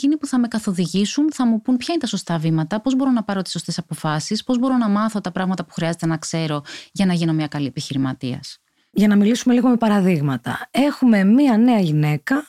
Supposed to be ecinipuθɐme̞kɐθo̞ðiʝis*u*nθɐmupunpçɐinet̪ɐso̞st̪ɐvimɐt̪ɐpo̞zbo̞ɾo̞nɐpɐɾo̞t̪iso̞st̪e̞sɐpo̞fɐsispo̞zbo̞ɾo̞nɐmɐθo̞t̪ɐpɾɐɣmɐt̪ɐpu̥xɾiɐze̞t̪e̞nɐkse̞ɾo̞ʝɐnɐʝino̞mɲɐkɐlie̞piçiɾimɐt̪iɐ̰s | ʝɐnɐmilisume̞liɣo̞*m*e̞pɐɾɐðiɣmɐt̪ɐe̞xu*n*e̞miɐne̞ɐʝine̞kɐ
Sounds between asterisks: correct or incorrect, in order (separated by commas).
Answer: correct, correct, incorrect